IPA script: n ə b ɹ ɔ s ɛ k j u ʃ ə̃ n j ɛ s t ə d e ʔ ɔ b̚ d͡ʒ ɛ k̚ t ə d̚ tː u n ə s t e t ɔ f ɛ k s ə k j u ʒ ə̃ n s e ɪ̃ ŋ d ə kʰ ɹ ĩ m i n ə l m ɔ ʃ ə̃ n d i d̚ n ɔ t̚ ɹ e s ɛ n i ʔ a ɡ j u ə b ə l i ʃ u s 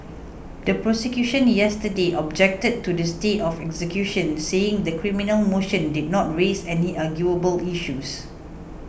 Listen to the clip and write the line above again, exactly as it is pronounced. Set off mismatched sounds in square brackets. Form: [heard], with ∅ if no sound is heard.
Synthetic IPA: [d] ə [p] ɹ ɔ s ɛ k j u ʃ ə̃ n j ɛ s t ə d e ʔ ɔ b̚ d͡ʒ ɛ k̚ t ə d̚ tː u [d] ə s t e t ɔ f ɛ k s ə k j u [ʃ] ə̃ n s e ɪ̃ ŋ d ə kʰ ɹ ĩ m i n ə l m [o] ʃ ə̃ n d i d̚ n ɔ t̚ ɹ e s ɛ n i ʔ a ɡ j u ə b ə l i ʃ u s